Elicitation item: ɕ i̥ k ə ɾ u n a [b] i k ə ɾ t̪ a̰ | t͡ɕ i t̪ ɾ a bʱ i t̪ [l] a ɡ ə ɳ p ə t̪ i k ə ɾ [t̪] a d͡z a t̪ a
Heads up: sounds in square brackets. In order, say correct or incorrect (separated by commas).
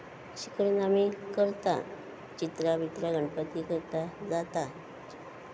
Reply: incorrect, incorrect, correct